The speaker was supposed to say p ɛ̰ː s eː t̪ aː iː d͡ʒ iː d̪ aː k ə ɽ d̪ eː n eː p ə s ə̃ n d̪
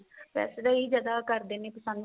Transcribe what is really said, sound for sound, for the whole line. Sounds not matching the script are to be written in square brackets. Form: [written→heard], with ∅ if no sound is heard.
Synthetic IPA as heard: p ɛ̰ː s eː [t̪→d̪] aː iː d͡ʒ [iː→aː] d̪ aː k ə [ɽ→ɾ] d̪ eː n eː p ə s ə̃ n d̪